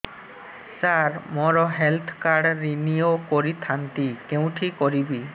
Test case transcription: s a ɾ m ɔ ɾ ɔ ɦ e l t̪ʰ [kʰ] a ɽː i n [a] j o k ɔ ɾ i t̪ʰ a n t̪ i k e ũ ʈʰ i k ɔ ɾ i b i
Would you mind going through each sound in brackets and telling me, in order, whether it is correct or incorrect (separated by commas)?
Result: incorrect, incorrect